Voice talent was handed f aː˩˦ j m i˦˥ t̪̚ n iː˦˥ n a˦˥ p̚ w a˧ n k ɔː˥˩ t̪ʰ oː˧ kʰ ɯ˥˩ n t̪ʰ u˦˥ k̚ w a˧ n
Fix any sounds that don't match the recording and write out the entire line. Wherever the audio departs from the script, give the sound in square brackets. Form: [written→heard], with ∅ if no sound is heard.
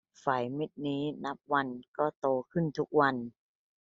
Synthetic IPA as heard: f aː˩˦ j m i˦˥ t̪̚ n iː˦˥ n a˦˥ p̚ w a˧ n k ɔː˥˩ [t̪ʰ→t̪] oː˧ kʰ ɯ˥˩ n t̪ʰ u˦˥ k̚ w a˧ n